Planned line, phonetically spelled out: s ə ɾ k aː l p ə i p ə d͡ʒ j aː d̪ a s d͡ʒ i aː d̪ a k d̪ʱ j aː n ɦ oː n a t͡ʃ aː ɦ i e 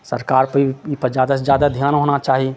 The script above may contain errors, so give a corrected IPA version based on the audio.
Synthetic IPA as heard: s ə ɾ k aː ɾ p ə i p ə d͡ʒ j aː d̪ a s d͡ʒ j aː d̪ a d̪ʱ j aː n ɦ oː n a t͡ʃ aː ɦ i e